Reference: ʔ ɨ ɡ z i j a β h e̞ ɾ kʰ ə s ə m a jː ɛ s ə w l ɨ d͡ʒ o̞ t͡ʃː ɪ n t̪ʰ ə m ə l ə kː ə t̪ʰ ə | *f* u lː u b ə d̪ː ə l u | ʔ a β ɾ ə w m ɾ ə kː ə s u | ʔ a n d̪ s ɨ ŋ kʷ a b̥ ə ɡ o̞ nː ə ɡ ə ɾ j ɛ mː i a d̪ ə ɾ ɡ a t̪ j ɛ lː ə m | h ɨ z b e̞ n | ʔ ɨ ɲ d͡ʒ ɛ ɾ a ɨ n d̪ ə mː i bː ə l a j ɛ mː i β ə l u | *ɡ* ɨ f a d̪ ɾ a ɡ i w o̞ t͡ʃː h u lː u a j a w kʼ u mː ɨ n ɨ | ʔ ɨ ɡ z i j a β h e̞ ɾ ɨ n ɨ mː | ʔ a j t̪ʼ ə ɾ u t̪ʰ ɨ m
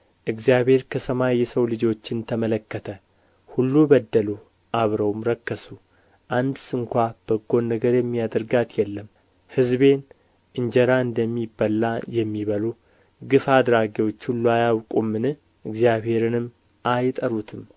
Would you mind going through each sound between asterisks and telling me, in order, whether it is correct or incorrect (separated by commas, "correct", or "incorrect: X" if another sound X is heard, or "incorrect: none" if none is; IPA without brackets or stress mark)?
incorrect: h, correct